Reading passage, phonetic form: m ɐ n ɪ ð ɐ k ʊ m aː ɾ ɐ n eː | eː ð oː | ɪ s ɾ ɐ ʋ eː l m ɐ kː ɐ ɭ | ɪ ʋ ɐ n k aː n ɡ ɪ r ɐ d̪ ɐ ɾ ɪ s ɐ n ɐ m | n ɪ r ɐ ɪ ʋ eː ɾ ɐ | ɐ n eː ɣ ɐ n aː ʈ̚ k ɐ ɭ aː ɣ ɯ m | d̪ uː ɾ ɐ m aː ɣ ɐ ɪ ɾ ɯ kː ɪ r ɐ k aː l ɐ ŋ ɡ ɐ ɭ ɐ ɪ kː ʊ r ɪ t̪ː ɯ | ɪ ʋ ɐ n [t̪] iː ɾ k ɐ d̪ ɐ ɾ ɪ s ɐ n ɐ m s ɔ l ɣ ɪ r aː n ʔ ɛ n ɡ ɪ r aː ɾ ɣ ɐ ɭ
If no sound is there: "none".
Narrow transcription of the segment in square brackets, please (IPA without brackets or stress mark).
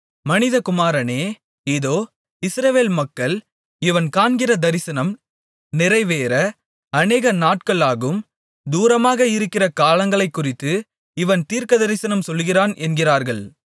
t̪